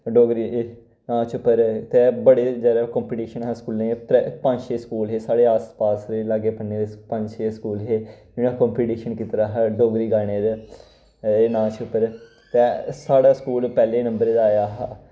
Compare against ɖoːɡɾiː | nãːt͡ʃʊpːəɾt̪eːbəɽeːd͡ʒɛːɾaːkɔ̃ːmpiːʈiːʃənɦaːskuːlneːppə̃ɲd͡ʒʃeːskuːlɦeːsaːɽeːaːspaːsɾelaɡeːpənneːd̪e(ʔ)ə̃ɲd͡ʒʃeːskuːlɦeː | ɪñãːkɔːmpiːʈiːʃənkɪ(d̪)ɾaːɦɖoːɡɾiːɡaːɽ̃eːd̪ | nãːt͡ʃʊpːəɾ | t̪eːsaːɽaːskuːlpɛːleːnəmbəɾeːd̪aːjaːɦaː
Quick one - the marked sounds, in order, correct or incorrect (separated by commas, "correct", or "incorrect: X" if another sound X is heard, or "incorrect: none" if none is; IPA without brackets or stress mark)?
incorrect: p, incorrect: t̪